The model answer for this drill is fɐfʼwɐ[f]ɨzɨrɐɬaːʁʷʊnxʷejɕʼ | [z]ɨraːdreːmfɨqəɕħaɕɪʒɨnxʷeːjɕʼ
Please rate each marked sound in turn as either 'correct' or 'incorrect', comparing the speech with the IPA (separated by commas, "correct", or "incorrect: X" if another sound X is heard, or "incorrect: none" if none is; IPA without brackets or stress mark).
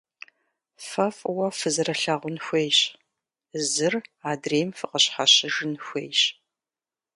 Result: correct, correct